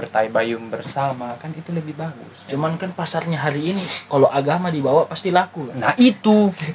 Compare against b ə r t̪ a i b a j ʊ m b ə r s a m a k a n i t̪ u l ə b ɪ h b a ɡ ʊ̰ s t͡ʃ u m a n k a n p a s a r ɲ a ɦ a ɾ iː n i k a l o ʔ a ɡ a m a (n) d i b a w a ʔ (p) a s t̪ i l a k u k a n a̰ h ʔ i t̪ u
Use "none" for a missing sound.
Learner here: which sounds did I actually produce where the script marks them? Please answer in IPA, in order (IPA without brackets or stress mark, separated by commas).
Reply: none, p